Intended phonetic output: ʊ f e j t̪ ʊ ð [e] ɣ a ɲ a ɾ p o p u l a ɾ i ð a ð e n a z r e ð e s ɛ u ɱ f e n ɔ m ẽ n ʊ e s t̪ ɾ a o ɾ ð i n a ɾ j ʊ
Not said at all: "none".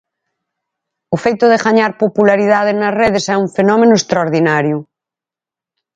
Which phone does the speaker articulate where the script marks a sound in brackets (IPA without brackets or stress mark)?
e